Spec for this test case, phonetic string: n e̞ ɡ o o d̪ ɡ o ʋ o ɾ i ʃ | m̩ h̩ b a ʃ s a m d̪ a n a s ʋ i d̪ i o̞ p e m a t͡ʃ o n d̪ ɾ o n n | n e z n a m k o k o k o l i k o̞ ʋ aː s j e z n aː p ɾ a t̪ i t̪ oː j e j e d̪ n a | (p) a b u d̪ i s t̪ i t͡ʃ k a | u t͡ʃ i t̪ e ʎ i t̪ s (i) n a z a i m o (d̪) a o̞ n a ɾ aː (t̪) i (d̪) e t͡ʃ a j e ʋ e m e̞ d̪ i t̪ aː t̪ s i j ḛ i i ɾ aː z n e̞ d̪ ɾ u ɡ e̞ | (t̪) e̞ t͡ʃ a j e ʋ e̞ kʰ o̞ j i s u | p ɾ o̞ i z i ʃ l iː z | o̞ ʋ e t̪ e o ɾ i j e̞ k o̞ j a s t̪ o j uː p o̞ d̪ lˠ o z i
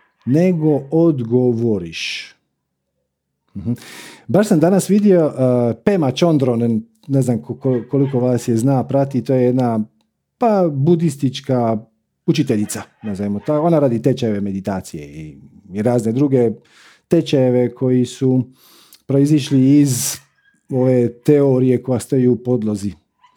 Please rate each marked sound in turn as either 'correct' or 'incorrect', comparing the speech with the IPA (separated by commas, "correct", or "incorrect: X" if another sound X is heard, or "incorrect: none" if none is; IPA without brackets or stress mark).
correct, incorrect: a, incorrect: t̪, incorrect: d̪, incorrect: t̪, correct